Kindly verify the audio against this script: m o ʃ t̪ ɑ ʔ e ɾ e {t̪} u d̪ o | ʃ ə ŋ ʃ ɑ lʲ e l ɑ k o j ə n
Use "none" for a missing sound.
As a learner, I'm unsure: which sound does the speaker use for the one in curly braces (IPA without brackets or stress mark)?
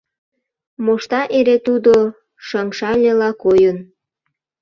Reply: t̪